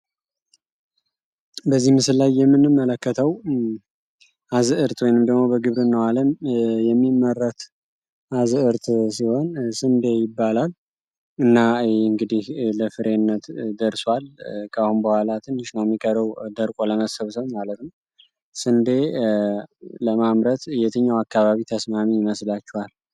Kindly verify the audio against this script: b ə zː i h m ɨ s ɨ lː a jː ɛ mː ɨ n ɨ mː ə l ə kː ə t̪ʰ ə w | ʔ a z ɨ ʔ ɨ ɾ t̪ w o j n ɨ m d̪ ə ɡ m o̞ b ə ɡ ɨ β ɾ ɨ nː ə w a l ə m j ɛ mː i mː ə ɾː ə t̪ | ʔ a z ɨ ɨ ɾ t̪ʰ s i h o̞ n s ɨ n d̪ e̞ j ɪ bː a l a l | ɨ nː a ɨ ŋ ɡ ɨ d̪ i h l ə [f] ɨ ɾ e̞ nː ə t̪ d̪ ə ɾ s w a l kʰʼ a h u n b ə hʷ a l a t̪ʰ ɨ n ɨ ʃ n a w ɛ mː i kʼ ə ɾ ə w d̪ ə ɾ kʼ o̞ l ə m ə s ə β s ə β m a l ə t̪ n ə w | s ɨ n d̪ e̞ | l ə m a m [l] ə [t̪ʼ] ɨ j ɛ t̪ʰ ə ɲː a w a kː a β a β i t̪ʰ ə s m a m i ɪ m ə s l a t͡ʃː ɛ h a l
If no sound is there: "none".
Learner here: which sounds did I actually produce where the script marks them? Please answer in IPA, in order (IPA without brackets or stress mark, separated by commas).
f, ɾ, t̪